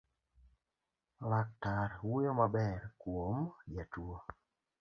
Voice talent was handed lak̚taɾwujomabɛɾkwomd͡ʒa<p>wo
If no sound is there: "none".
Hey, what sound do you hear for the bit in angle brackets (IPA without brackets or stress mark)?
t